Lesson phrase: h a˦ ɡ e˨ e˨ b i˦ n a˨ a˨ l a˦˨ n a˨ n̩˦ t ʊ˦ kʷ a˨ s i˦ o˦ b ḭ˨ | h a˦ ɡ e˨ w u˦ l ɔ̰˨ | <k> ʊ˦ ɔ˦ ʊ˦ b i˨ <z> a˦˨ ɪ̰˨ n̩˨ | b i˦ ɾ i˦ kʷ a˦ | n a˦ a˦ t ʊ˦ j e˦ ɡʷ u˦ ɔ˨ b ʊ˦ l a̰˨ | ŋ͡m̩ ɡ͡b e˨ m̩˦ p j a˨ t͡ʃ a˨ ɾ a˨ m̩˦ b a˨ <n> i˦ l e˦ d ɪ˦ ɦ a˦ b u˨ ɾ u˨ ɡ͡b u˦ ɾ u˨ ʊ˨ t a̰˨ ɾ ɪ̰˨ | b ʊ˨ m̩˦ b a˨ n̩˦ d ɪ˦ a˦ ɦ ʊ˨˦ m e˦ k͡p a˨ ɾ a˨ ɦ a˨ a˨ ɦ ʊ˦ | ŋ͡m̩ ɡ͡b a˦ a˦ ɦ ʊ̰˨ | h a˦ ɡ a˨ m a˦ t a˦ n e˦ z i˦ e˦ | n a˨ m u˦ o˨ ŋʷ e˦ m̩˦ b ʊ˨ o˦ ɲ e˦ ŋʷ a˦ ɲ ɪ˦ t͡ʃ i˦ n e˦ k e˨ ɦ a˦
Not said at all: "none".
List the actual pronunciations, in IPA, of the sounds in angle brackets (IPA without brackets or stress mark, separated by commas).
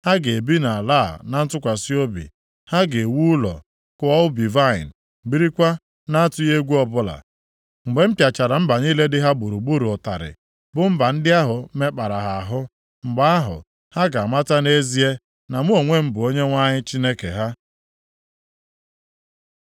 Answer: k, v, ɲ